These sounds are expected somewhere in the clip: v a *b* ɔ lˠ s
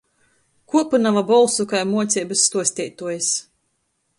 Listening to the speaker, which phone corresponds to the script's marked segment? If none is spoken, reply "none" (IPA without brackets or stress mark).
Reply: b